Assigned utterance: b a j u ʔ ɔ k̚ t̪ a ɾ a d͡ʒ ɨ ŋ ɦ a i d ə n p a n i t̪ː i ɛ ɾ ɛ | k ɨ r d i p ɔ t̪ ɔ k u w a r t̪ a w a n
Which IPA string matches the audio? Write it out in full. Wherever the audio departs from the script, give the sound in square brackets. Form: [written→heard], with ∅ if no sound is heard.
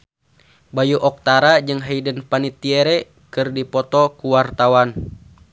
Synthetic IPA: b a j u ʔ ɔ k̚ t̪ a ɾ a d͡ʒ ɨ ŋ ɦ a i d ə n p a n i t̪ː i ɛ ɾ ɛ | k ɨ r d i p ɔ t̪ ɔ k u w a r t̪ a w a n